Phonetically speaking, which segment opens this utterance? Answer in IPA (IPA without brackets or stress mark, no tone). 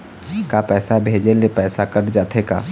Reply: k